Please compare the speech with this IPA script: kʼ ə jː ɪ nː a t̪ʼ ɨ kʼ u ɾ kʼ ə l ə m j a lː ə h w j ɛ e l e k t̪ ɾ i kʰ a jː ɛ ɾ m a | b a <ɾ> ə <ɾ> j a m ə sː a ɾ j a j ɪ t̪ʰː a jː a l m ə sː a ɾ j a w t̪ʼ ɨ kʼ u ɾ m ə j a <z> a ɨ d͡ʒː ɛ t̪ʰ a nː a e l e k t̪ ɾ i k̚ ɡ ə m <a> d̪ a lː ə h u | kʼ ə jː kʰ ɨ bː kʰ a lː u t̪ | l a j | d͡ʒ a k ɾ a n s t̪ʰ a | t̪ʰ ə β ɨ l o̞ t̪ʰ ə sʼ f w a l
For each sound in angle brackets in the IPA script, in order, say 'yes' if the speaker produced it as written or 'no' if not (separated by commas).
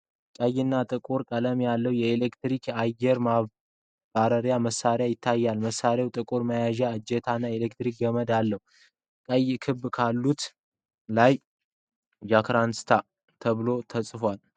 yes, yes, no, no